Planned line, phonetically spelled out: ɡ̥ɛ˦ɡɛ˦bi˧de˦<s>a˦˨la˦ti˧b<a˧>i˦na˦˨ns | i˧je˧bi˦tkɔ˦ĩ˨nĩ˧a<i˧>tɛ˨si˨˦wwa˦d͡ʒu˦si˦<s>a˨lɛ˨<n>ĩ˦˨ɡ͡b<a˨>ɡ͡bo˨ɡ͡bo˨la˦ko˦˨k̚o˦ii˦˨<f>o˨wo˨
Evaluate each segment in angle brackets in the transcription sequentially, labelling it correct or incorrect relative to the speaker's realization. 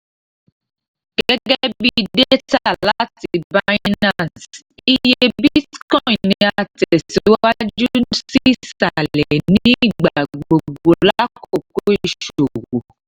incorrect: t, correct, incorrect: a˧, correct, correct, correct, incorrect: ʃ

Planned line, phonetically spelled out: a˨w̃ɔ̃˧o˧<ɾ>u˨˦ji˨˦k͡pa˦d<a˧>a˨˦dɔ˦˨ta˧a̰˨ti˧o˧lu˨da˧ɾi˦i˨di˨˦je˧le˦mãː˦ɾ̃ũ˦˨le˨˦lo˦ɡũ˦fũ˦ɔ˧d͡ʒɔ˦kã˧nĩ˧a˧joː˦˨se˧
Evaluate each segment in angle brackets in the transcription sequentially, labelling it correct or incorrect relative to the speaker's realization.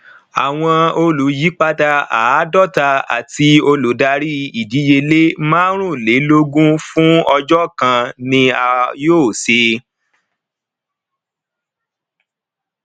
incorrect: l, correct

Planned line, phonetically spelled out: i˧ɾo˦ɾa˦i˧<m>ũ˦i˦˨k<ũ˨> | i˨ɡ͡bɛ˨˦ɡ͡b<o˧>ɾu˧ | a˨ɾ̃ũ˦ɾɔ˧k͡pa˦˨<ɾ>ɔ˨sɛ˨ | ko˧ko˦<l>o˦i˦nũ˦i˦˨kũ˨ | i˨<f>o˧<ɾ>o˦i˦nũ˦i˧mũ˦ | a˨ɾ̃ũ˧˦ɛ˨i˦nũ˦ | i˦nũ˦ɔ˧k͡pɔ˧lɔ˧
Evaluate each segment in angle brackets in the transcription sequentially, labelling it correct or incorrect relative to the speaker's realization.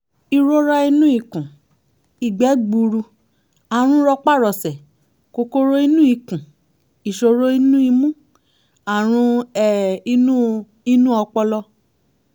incorrect: n, correct, incorrect: u˧, correct, incorrect: ɾ, incorrect: ʃ, correct

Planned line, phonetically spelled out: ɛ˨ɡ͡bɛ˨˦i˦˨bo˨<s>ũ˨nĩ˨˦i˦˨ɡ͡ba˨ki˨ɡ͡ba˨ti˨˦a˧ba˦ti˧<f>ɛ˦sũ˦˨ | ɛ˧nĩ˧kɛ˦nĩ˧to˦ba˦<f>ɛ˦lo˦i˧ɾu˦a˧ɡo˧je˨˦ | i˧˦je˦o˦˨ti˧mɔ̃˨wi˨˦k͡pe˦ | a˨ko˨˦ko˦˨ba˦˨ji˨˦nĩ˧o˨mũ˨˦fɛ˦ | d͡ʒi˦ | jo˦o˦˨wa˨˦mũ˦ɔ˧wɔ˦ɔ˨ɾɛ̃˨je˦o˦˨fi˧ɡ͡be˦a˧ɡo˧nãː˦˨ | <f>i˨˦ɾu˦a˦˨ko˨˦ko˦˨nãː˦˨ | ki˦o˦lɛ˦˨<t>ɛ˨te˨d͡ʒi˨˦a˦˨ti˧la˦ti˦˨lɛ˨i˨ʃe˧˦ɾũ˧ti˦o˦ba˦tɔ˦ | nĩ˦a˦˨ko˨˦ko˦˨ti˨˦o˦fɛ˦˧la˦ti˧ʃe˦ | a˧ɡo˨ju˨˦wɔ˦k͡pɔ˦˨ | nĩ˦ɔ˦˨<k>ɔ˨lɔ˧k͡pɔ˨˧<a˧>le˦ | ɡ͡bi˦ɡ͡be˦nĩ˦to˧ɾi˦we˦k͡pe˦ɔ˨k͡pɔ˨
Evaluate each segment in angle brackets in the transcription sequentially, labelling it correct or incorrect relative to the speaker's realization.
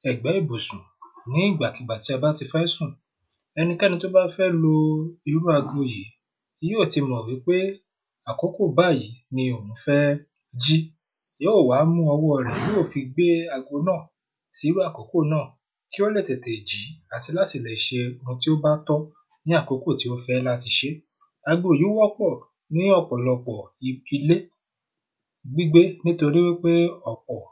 correct, correct, correct, incorrect: s, correct, incorrect: k͡p, incorrect: i˧

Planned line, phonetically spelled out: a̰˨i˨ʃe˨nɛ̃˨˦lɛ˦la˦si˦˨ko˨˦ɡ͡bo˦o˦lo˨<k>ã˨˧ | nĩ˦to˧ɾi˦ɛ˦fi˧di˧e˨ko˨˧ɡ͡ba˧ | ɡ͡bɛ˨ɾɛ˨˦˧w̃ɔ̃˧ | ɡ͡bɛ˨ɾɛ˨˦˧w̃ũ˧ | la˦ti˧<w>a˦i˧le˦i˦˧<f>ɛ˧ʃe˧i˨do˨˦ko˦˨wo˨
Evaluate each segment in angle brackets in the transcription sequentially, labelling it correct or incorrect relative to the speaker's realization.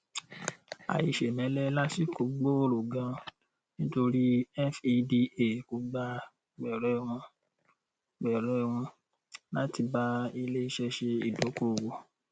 incorrect: ɡ, incorrect: b, incorrect: ʃ

